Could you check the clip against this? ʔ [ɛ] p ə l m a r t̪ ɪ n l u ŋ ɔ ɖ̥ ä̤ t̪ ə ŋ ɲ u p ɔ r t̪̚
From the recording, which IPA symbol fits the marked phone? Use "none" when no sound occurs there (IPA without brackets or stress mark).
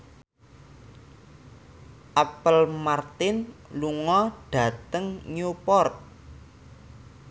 a